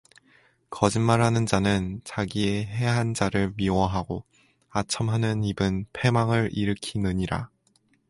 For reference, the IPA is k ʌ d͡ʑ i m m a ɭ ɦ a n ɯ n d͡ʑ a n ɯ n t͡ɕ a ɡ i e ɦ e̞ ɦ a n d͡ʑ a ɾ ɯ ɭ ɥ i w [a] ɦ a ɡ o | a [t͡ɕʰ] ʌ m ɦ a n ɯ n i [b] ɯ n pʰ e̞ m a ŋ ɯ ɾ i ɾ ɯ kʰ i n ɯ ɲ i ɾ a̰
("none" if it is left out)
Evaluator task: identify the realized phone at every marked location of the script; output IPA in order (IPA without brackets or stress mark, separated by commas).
ʌ, t͡ɕʰ, b